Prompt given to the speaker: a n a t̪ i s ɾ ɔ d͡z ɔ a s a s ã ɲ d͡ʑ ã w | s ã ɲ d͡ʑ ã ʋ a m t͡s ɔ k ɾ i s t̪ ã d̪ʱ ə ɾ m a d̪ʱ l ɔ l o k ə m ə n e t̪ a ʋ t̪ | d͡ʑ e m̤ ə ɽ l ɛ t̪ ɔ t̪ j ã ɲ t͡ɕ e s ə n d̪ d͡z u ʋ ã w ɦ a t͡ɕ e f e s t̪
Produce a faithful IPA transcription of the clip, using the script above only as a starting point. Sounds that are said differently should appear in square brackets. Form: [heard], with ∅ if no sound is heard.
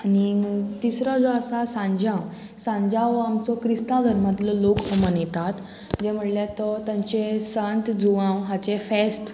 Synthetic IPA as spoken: a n [i] t̪ i s ɾ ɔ d͡z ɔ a s a s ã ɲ d͡ʑ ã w | s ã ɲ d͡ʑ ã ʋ a m t͡s ɔ k ɾ i s t̪ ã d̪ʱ ə ɾ m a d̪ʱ l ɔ l o k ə m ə n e t̪ a [∅] t̪ | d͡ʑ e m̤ ə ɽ l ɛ t̪ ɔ t̪ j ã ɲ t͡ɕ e s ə n [t̪] d͡z u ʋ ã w ɦ a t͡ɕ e f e s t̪